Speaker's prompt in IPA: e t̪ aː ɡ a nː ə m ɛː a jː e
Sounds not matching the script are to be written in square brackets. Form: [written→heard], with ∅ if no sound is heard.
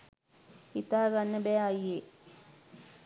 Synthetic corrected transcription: [e→i] t̪ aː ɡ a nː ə [m→b] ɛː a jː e

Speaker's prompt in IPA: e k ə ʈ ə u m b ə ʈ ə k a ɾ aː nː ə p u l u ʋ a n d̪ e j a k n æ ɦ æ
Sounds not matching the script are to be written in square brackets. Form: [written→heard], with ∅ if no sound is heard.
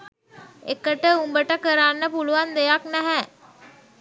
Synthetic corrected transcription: e k ə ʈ ə u m b ə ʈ ə k [a→ə] ɾ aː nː ə p u l u ʋ a n d̪ e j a k n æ ɦ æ

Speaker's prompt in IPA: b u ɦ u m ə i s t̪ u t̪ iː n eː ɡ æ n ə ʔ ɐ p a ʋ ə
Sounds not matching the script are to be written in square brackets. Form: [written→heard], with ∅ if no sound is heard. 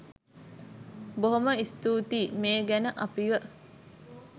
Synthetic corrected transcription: b [u→o] ɦ [u→o] m ə i s t̪ [u→uː] t̪ iː [n→m] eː ɡ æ n ə ʔ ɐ p [a→i] ʋ ə

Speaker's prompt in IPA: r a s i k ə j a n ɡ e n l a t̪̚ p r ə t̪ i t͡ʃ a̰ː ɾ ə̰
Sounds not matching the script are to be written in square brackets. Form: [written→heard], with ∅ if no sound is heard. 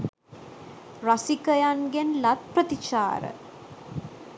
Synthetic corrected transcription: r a s i k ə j a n ɡ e n l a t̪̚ p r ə t̪ i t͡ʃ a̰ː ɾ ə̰

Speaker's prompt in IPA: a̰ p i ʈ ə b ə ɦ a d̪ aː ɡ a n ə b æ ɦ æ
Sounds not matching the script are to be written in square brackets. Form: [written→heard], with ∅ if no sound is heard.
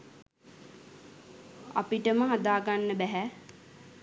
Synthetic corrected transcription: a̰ p i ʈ ə [b→m] ə ɦ a d̪ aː ɡ a [n→nː] ə b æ ɦ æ

